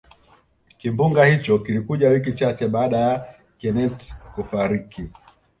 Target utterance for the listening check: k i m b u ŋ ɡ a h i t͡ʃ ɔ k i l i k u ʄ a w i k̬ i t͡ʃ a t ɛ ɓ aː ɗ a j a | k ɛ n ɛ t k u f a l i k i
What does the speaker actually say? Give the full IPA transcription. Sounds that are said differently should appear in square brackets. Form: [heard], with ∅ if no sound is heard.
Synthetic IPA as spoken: k i m b u ŋ ɡ a h i t͡ʃ ɔ k i l i k u ʄ a w i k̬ i t͡ʃ a [t͡ʃ] ɛ ɓ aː ɗ a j a | k ɛ n ɛ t k u f a [ɾ] i k i